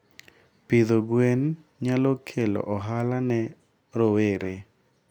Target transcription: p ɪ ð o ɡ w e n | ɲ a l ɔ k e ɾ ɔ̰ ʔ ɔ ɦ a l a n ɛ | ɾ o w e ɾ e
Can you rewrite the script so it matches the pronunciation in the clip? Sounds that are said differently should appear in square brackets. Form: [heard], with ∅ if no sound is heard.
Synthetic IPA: p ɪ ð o ɡ w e n | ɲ a l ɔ [kʰ] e [l] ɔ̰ ʔ ɔ ɦ a l a n ɛ | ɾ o w e ɾ e

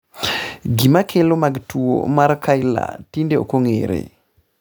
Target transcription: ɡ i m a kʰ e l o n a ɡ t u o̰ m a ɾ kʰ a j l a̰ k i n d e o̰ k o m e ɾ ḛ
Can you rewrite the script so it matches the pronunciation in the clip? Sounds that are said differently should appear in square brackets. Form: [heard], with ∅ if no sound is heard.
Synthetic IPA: ɡ i m a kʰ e l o [m] a ɡ t u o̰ m a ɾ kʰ a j l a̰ [t] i n d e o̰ k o [ŋ] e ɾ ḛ

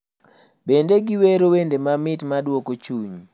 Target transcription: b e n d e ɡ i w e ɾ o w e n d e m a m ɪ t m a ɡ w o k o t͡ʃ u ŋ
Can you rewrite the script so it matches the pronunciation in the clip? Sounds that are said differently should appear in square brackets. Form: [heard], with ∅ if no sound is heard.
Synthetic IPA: b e n d e ɡ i w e ɾ o w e n d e m a m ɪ t m a [d] w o k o t͡ʃ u [ɲ]

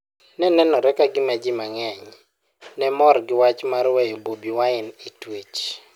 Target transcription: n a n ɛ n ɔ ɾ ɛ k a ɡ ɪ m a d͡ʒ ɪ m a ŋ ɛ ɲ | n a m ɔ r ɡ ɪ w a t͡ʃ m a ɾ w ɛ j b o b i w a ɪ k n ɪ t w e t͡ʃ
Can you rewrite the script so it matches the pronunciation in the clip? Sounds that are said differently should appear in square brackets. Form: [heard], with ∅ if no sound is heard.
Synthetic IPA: n [ɛ] n ɛ n ɔ ɾ ɛ k a ɡ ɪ m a d͡ʒ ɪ m a ŋ ɛ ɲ | n [ɛ] m ɔ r ɡ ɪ w a t͡ʃ m a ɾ w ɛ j b o b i w a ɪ [∅] n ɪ t w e t͡ʃ

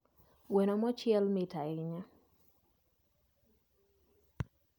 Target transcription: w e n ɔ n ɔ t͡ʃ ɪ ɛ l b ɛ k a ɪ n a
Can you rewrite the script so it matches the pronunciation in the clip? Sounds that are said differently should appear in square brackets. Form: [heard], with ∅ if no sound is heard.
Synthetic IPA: w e n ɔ [m] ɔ t͡ʃ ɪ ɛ l [m] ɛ [t] a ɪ [ɲ] a

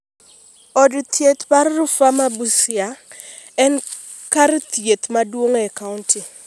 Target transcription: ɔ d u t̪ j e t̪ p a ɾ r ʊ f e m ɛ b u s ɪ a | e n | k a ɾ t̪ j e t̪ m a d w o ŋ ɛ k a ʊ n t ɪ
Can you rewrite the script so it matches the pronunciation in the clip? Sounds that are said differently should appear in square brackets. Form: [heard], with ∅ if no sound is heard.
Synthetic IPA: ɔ d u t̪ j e t̪ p a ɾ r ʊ f [a] m [a] b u s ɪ a | [ɛ] n | k a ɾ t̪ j e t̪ m a d w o ŋ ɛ k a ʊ n t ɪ

